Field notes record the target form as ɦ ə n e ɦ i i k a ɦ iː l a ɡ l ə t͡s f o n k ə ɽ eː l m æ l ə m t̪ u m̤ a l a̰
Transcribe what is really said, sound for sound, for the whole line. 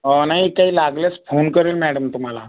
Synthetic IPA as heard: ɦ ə n a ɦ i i k a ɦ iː l a ɡ l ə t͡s f o n k ə ɾ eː l m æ ɽ ə m t̪ u m̤ a l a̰

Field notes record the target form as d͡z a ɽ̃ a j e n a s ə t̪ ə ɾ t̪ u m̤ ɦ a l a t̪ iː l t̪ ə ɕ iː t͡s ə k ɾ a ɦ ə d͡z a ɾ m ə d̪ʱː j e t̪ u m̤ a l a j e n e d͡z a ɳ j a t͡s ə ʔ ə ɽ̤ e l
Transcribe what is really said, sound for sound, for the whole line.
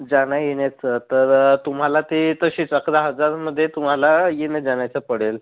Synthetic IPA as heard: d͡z a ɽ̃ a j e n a t͡s ə t̪ ə ɾ t̪ u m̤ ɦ a l a t̪ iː t̪ ə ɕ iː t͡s ə k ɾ a ɦ ə d͡z a ɾ m ə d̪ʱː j e t̪ u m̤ a l a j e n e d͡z a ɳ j a t͡s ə p ə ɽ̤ e l

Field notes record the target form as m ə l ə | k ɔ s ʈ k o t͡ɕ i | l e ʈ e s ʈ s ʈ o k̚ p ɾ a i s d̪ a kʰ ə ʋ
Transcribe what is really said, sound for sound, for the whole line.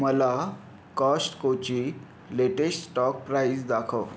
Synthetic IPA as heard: m ə l a | k ɔ s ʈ k o t͡ɕ i | l e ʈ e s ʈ s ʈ ɔ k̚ p ɾ a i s d̪ a kʰ ə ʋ

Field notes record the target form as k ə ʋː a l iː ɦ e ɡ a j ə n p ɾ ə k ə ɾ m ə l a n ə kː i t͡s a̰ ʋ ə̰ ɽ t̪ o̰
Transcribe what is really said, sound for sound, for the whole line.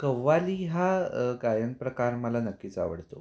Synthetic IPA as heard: k ə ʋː a l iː ɦ a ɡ a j ə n p ɾ ə k a ɾ m ə l a n ə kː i t͡s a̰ ʋ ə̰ ɽ t̪ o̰

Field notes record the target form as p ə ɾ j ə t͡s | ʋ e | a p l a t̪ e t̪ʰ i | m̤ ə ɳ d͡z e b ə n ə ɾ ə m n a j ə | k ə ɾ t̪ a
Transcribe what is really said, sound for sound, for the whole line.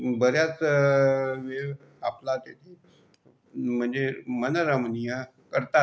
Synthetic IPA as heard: b ə ɾ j a t͡s | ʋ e | a p l a t̪ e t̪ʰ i | m̤ ə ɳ d͡z e m ə n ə ɾ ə m n i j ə | k ə ɾ t̪ a

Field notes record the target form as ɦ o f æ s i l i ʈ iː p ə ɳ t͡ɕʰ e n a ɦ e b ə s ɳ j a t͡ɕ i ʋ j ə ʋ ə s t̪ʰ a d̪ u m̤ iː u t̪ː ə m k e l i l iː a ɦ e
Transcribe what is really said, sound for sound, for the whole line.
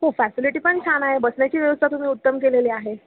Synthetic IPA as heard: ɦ o f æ s i l i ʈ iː p ə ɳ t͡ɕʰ a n a ɦ e b ə s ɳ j a t͡ɕ iː ʋ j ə ʋ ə s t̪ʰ a t̪ u m̤ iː u t̪ː ə m k e l e l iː a ɦ e

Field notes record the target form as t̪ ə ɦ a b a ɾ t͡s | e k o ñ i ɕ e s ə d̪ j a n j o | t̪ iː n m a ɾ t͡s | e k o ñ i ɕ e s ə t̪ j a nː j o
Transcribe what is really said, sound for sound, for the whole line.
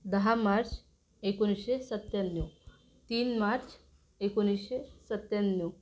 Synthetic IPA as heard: d̪ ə ɦ a m a ɾ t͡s | e k o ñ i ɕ e s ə t̪ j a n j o | t̪ iː n m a ɾ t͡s | e k o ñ i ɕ e s ə t̪ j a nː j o

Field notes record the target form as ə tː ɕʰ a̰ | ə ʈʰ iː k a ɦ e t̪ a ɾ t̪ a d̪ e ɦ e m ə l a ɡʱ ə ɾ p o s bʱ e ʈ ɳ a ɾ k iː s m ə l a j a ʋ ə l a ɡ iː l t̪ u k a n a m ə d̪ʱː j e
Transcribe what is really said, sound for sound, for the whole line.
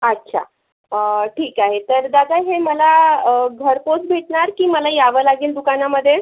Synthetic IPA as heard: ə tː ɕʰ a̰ | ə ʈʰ iː k a ɦ e t̪ ə ɾ d̪ a d̪ a ɦ e m ə l a ɡʱ ə ɾ p o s bʱ e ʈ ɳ a ɾ k iː m ə l a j a ʋ ə l a ɡ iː l d̪ u k a n a m ə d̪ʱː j e

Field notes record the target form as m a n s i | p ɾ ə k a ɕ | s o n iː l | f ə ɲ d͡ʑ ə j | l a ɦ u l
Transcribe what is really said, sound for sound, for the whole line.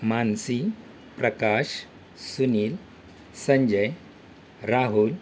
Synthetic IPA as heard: m a n s i | p ɾ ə k a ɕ | s u n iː l | s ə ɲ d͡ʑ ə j | ɾ a ɦ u l

